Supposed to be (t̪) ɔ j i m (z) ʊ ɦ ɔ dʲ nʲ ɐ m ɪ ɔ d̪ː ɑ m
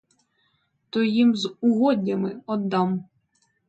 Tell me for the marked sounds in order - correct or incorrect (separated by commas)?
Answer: correct, correct